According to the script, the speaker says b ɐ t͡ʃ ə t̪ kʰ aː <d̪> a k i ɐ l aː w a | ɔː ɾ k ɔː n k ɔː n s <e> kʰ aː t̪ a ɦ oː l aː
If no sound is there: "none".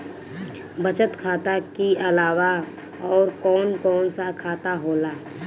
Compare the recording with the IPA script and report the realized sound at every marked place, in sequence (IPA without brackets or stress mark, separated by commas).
t̪, a